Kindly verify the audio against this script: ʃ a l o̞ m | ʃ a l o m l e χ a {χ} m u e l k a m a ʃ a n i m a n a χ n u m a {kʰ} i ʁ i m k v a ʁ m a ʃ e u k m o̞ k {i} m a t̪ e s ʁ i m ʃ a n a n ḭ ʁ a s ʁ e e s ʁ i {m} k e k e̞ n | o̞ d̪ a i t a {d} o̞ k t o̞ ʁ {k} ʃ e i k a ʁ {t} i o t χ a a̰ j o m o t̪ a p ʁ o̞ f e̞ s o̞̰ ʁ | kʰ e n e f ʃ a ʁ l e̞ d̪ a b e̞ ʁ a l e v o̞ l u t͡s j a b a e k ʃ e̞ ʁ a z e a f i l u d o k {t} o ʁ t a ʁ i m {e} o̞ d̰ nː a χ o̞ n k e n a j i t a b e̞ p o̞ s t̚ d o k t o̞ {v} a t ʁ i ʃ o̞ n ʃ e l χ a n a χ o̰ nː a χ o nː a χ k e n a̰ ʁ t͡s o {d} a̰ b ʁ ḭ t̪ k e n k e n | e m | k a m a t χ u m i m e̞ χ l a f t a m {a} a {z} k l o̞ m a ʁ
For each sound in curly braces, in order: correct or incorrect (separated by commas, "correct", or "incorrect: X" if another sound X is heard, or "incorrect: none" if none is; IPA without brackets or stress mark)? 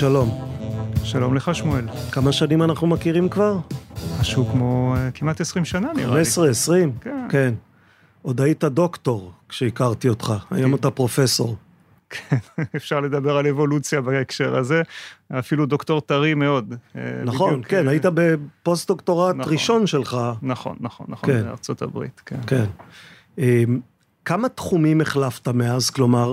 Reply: incorrect: ʃ, incorrect: k, correct, correct, correct, correct, correct, correct, correct, incorrect: ʁ, incorrect: t, incorrect: e, correct